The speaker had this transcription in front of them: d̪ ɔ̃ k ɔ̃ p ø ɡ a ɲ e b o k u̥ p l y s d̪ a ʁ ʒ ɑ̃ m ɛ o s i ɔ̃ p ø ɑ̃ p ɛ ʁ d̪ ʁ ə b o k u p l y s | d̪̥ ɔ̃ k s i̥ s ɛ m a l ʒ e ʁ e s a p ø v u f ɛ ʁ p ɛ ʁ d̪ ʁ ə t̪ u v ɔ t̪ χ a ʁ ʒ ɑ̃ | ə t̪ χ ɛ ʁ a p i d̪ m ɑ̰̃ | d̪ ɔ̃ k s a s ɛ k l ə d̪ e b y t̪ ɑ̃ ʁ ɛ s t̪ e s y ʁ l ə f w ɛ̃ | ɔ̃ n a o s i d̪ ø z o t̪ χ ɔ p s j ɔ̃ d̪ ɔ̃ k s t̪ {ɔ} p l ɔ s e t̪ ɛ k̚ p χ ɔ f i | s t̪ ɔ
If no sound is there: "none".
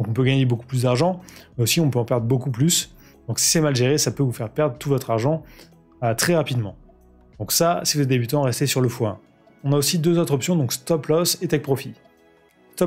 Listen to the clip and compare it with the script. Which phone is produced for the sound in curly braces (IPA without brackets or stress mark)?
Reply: ɔ